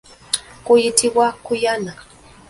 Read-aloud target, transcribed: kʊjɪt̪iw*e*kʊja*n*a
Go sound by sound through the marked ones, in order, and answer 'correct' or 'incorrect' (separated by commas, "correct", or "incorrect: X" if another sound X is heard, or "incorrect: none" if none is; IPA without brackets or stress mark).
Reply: incorrect: a, correct